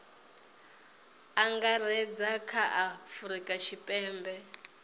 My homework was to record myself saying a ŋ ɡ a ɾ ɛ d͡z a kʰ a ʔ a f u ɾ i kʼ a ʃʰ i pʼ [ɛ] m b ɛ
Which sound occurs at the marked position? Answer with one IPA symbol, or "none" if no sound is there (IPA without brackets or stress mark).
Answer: ɛː